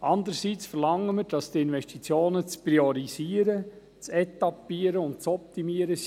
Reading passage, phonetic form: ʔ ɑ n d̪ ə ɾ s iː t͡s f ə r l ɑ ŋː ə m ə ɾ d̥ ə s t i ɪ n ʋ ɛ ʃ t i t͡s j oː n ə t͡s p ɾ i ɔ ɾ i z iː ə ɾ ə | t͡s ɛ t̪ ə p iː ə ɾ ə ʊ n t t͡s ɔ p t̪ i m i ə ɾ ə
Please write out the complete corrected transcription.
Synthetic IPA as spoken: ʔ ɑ n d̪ ə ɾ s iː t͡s f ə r l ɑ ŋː ə m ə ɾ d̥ ɑ s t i ɪ n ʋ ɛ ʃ t i t͡s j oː n ə t͡s p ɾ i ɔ ɾ i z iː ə ɾ ə | t͡s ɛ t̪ ɑ p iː ə ɾ ə ʊ n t t͡s ɔ p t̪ i m i ə ɾ ə